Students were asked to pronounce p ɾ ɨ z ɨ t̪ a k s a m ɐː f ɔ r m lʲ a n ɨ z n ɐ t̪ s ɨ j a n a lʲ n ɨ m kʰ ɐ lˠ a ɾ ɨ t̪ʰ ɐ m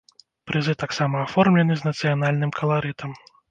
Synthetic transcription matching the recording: p ɾ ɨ z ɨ t̪ a k s a m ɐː f ɔ r m lʲ ɛ n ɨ z n ɐ t̪ s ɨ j a n a lʲ n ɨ m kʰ ɐ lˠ a ɾ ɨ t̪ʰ ɐ m